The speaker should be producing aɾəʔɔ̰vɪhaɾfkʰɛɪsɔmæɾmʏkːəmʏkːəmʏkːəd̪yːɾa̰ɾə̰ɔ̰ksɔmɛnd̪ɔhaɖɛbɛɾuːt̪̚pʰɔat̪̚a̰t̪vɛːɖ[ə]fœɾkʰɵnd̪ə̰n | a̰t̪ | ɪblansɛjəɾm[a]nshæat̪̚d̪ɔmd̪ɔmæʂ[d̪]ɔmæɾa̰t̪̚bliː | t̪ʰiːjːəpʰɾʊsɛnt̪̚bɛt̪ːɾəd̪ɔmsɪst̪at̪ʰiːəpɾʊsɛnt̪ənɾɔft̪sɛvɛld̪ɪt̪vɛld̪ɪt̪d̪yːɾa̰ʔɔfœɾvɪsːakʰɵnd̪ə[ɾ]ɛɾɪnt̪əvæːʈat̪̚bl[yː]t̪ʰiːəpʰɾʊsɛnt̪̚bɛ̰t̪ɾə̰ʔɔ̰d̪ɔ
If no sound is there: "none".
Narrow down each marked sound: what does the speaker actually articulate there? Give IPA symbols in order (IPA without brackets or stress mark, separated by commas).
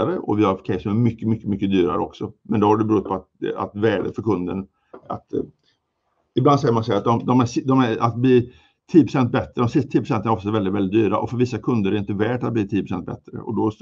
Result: ə, a, d̪, ɾ, iː